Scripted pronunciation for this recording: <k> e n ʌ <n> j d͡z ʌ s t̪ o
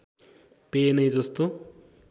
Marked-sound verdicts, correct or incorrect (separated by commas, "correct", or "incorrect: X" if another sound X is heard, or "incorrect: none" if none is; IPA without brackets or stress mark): incorrect: p, incorrect: none